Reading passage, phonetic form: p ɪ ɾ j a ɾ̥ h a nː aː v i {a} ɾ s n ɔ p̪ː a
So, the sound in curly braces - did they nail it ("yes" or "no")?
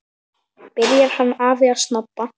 yes